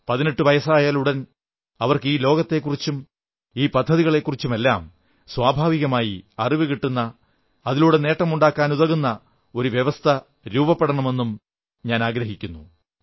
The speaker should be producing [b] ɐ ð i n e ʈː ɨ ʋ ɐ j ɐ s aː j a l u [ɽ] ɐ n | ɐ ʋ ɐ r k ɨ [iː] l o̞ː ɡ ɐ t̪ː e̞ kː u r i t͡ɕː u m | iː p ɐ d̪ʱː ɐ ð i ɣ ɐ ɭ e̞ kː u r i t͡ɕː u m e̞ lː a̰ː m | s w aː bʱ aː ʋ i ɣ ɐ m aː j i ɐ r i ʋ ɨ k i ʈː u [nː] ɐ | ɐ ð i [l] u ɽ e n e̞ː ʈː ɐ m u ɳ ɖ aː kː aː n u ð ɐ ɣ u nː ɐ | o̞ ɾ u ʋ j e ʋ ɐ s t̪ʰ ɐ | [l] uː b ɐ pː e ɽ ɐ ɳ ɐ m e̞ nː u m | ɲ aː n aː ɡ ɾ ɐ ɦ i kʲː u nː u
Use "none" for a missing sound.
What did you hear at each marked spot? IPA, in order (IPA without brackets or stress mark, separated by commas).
p, ɽ, iː, nː, l, ɾ